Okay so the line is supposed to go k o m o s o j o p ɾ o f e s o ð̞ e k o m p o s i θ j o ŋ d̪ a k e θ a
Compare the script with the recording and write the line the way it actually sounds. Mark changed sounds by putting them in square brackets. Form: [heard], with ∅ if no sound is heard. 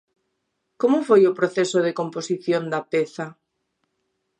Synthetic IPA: k o m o [f] o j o p ɾ o [θ] e s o ð̞ e k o m p o s i θ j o [n] d̪ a [p] e θ a